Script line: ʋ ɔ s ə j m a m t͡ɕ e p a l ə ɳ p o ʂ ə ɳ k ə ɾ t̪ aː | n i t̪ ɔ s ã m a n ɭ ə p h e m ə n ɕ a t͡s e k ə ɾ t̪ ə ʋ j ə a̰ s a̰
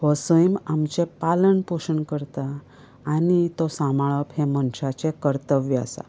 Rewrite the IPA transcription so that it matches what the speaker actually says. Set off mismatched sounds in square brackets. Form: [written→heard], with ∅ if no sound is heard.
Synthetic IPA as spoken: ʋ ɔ s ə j m a m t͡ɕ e p a l ə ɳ p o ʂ ə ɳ k ə ɾ t̪ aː | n i t̪ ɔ s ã m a [n→∅] ɭ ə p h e m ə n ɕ a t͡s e k ə ɾ t̪ ə ʋ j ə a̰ s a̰